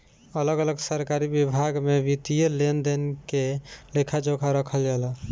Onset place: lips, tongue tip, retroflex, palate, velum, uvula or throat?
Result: tongue tip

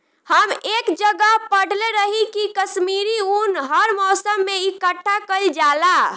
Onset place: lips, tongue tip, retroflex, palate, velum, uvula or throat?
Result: throat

